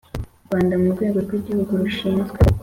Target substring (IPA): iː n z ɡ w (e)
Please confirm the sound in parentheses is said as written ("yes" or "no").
yes